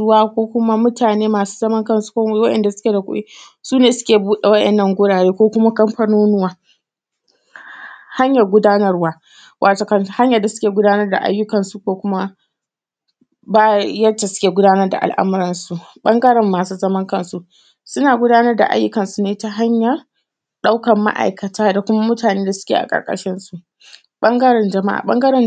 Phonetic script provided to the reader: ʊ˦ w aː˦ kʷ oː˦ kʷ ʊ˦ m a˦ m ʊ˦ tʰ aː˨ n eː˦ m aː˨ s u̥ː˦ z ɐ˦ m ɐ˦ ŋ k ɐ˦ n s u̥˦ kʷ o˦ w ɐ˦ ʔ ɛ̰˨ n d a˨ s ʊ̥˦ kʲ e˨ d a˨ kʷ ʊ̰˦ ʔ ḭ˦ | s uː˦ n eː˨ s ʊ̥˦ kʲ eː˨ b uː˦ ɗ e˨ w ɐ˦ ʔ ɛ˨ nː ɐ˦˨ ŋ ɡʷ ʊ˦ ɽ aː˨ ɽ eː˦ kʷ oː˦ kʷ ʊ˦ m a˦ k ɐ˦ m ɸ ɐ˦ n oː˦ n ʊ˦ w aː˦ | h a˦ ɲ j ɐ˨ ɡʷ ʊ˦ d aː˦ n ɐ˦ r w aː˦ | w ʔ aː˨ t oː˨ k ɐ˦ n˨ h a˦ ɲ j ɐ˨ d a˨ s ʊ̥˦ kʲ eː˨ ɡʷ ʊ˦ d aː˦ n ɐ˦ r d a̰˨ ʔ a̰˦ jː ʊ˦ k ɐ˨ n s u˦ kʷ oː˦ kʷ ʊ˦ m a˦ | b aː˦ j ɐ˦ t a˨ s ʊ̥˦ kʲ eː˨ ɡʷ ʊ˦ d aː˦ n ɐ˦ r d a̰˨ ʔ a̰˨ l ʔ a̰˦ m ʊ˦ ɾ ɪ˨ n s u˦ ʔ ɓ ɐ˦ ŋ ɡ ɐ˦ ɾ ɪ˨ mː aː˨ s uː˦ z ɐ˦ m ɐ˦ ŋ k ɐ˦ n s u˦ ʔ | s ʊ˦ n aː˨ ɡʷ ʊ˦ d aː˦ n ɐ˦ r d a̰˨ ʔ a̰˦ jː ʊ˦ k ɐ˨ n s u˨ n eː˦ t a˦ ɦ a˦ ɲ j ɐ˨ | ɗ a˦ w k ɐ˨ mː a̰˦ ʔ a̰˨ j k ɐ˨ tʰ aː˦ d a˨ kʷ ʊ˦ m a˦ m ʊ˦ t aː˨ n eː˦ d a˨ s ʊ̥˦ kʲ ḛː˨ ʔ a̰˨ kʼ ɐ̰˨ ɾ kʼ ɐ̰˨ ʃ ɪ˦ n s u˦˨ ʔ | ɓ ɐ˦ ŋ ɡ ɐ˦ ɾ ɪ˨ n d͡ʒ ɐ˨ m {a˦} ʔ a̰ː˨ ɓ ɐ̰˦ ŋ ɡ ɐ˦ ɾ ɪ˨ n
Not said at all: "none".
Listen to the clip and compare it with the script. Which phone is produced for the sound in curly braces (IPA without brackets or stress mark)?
a˦